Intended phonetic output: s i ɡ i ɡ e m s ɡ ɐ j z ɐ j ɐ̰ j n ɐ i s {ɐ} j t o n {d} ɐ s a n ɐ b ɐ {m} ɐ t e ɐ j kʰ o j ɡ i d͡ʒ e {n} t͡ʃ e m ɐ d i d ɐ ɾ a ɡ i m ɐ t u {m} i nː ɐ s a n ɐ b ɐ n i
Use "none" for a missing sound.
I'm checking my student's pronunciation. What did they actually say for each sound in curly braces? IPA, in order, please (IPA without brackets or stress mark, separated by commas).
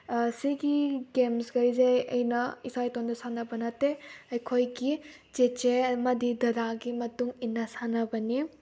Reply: a, d, n, none, ŋ